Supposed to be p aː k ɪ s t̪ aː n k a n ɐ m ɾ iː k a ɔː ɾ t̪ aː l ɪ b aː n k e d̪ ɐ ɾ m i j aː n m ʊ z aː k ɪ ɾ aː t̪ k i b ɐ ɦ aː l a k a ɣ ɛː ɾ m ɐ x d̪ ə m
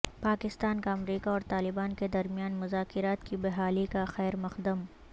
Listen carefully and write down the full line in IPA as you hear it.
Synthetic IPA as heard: p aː k ɪ s t̪ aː n k a ɐ m ɾ iː k a ɔː ɾ t̪ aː l ɪ b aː n k e d̪ ɐ ɾ m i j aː n m ʊ z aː k ɪ ɾ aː t̪ k i b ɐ ɦ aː l i k a x ɛː ɾ m ɐ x d̪ ə m